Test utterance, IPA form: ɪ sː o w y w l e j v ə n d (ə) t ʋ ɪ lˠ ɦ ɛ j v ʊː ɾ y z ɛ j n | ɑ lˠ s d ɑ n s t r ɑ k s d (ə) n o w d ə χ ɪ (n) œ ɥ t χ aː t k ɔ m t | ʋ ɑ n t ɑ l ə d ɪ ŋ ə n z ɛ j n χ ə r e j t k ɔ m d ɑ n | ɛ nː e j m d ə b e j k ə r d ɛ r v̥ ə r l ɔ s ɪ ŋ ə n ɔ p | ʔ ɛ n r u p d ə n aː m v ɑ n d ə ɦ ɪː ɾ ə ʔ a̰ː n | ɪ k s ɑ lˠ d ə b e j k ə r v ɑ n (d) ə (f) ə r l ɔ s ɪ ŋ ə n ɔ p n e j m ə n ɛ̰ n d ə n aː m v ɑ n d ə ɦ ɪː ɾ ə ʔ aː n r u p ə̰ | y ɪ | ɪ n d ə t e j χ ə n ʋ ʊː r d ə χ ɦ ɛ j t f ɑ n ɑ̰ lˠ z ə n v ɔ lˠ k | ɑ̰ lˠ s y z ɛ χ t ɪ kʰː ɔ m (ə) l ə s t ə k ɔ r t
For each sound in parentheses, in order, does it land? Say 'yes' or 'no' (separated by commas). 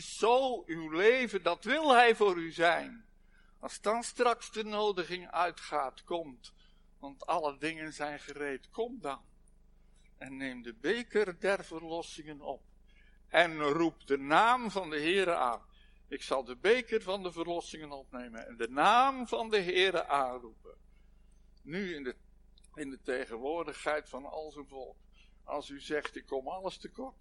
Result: no, yes, no, yes, no, no